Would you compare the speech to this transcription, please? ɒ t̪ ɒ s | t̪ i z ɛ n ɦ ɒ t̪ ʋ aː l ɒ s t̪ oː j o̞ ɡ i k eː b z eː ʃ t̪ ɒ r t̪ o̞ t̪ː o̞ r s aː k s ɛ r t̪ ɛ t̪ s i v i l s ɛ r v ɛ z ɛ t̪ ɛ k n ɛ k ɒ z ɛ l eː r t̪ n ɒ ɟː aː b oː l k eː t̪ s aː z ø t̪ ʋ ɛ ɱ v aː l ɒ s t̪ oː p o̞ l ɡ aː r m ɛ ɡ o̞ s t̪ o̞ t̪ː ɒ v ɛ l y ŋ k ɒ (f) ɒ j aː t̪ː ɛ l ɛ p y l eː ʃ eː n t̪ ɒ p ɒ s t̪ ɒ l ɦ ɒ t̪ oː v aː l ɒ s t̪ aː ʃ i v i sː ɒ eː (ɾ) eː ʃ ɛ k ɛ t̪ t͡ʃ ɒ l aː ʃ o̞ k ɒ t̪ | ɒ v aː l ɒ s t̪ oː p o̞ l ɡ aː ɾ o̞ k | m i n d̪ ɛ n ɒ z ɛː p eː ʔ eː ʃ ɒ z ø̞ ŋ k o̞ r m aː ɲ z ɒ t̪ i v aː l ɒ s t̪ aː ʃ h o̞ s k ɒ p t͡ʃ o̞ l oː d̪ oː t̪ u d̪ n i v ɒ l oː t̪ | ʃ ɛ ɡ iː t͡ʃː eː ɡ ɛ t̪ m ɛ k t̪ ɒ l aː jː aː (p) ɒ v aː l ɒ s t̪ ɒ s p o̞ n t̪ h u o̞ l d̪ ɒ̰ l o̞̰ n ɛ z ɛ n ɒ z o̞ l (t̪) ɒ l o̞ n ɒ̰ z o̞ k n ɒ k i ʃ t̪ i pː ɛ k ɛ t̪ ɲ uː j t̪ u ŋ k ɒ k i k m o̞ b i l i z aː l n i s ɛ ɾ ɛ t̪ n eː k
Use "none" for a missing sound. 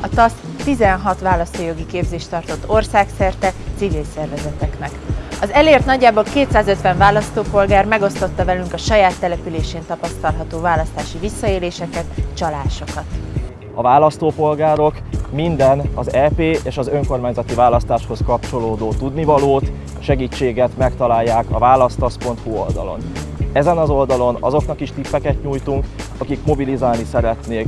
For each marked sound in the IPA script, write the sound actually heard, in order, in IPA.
ʃ, l, k, d̪

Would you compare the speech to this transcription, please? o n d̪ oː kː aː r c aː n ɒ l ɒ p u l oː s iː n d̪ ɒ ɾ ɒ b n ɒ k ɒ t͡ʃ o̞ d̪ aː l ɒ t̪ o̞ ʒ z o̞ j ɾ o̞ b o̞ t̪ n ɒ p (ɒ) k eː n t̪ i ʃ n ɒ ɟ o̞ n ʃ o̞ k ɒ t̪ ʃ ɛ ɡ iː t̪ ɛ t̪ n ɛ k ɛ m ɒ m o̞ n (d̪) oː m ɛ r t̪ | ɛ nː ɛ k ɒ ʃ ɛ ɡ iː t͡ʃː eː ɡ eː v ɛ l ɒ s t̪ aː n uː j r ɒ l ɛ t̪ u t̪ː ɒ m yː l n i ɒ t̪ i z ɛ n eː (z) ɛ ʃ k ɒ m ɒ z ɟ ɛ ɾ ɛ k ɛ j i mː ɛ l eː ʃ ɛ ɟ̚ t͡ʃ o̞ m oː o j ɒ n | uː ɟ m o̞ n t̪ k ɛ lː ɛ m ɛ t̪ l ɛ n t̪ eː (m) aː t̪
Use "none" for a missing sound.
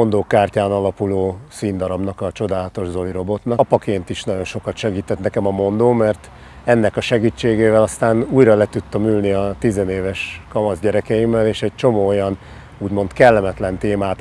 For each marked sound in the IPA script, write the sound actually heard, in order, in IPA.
ɒ, d̪, v, m

